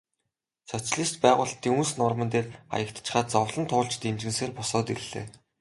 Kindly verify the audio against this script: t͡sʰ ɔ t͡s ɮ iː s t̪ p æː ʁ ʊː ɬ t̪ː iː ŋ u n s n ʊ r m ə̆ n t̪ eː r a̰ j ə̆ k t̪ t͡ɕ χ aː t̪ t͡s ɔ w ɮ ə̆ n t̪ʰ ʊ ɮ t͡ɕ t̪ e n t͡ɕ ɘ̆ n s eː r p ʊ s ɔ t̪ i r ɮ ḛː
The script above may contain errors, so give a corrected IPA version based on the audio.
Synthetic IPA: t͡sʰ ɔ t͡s ɮ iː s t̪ p æː ʁ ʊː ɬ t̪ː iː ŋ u n s n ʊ r m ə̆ n t̪ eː r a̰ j ə̆ k t̪ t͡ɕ χ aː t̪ t͡s ɔ w ɮ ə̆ n t̪ʰ ʊː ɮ t͡ɕ t̪ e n t͡ɕ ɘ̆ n s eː r p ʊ s ɔː t̪ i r ɮ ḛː